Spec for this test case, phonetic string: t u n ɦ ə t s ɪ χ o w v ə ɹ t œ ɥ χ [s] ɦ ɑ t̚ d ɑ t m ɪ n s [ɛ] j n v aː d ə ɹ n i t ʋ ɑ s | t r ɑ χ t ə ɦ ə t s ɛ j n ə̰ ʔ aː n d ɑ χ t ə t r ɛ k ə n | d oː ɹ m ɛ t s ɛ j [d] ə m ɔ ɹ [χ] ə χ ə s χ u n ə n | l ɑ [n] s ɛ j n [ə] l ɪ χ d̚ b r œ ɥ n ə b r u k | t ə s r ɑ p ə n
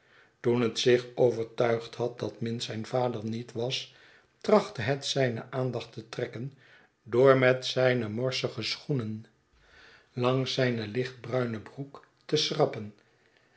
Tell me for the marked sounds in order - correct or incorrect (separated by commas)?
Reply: incorrect, correct, incorrect, incorrect, incorrect, correct